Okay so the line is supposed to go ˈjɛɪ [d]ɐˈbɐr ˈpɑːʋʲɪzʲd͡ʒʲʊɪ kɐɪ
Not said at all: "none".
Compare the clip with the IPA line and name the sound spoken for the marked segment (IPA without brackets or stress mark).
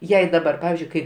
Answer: d